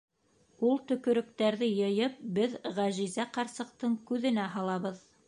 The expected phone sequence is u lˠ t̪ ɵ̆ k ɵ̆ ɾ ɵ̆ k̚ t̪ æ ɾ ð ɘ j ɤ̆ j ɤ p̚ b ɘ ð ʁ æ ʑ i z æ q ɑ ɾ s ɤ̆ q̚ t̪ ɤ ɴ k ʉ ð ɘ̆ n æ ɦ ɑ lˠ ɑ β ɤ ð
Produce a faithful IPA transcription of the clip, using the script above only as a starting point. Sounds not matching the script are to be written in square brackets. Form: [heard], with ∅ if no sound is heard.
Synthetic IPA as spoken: u lˠ t̪ ɵ̆ k ɵ̆ ɾ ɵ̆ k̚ t̪ æ ɾ ð ɘ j ɤ̆ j ɤ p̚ b ɘ ð ʁ æ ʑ i z æ q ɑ ɾ s ɤ̆ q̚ t̪ ɤ ɴ k ʉ ð ɘ̆ n æ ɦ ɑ lˠ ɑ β ɤ ð